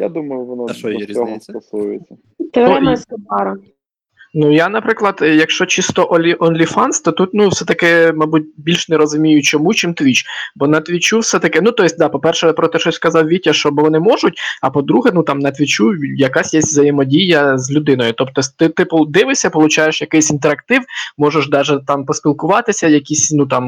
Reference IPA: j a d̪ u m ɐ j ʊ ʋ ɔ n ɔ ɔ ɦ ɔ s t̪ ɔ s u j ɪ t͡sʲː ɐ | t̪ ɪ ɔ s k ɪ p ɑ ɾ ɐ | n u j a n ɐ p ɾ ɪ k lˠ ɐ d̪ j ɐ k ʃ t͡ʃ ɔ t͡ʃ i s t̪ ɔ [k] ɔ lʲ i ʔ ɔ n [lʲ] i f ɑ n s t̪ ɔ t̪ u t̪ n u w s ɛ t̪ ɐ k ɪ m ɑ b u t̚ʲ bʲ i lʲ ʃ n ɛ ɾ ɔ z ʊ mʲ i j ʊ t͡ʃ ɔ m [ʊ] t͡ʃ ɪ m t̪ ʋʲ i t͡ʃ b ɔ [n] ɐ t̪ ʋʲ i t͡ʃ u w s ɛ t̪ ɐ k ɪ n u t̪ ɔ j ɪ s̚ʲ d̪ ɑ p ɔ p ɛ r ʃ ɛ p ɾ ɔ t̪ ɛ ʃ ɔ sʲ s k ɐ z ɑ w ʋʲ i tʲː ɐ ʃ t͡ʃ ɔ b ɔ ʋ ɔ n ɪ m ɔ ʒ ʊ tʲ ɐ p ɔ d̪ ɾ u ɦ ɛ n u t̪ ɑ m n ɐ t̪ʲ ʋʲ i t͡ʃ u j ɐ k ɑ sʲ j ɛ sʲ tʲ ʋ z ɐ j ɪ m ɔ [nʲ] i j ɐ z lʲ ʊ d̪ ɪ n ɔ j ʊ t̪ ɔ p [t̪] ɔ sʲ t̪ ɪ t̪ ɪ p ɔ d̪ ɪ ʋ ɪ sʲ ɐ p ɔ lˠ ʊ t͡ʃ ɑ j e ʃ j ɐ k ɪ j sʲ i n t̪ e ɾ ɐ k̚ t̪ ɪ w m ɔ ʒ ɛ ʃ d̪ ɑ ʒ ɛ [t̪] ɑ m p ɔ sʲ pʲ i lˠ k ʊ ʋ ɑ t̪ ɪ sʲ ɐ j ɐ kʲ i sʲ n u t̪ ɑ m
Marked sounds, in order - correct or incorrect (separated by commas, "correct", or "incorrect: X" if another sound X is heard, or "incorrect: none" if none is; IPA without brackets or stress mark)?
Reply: incorrect: ʔ, correct, incorrect: u, correct, incorrect: dʲ, correct, correct